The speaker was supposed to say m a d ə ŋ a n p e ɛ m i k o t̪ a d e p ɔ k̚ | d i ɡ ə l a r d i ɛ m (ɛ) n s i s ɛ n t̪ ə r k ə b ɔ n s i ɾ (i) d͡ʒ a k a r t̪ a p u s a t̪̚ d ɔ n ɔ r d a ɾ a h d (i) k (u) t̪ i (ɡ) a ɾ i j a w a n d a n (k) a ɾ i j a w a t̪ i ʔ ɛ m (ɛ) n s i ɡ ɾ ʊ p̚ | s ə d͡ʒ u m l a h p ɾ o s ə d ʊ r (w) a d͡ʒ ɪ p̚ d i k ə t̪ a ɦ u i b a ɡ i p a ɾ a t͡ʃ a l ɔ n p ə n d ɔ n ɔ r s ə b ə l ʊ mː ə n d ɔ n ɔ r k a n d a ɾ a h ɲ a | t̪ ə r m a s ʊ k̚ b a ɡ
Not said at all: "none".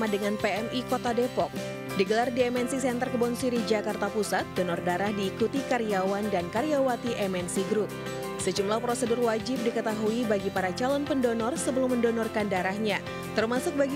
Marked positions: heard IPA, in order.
ɛ, i, iː, u, k, k, ɛ, w

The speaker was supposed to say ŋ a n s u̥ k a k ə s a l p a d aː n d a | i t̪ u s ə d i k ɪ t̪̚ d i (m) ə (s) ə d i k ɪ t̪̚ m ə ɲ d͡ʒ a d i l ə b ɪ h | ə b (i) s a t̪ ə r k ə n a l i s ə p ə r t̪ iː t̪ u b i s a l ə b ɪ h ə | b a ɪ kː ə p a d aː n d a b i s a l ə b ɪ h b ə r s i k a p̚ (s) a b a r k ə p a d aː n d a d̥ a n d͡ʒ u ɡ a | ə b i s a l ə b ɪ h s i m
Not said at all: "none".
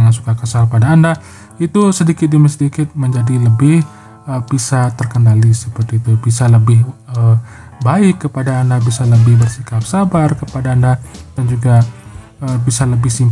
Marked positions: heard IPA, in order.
m, s, i, s

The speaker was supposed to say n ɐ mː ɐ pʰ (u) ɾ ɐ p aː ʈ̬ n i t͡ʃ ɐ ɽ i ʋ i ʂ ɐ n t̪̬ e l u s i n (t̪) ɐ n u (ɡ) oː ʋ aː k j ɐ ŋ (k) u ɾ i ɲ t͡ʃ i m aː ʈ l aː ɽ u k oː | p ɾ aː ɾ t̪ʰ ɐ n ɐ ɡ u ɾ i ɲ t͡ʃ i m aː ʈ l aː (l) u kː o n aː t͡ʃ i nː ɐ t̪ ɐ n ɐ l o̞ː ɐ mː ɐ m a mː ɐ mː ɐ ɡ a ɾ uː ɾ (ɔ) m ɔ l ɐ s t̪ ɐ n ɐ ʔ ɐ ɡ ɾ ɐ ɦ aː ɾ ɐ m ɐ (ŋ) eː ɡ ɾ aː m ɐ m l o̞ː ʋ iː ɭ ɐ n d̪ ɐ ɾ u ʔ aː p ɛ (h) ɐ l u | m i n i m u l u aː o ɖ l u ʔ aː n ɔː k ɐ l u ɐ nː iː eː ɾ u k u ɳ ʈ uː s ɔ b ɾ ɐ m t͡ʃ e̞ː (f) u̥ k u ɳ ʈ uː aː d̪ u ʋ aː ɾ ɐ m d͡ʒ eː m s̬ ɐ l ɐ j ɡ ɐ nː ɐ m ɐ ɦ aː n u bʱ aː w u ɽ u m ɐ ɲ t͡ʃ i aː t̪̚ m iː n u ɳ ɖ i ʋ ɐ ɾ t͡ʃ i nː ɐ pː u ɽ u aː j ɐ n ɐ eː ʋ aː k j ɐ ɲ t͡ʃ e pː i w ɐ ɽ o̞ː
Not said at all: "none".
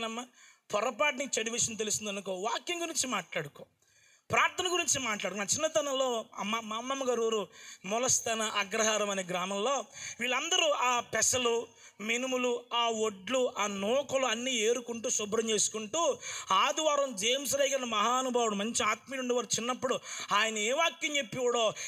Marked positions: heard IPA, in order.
ɔ, d̪, k, ɡ, ɽ, u, n, s, s

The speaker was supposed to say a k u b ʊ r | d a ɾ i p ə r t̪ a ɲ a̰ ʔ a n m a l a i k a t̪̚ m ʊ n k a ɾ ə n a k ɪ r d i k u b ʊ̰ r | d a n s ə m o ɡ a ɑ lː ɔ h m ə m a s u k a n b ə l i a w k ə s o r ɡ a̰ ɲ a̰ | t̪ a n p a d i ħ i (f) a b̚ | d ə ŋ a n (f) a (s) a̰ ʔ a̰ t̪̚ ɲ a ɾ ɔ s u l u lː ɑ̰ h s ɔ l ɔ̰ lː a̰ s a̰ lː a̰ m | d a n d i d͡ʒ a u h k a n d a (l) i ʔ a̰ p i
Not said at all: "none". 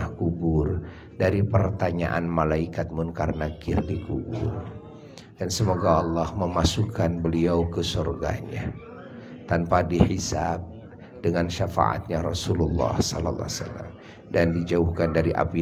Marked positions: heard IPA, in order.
s, ʃ, f, ɾ

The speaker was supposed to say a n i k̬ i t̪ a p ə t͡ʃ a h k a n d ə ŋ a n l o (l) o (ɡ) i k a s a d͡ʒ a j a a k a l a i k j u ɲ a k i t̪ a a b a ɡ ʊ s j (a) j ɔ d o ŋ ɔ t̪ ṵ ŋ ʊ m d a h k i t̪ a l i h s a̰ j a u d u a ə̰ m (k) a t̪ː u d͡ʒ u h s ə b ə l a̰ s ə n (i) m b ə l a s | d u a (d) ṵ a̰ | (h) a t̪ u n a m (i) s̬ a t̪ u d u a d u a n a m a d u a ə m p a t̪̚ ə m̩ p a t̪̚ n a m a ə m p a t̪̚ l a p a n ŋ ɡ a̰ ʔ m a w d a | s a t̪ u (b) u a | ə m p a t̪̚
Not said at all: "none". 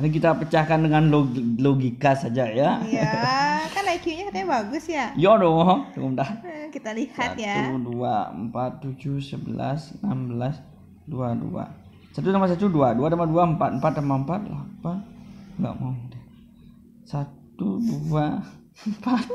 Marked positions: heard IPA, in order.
l, ɡ, a, p, a, d, s, a, d

